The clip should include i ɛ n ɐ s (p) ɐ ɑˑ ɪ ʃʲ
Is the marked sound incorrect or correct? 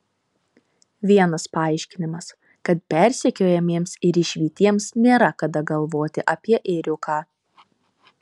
correct